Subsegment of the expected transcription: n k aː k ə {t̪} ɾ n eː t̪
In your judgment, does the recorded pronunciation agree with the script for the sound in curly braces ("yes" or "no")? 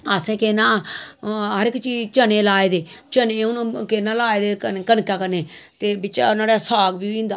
no